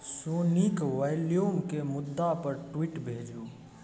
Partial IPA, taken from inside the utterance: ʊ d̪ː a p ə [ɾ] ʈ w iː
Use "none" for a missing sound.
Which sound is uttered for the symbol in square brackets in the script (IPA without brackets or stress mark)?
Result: ɾ